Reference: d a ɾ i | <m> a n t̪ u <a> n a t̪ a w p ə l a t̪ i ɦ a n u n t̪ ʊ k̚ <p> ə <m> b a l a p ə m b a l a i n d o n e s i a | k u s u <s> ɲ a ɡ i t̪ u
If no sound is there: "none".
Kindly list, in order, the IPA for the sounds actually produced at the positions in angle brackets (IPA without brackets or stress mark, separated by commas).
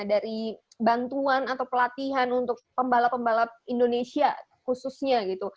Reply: b, a, p, m, s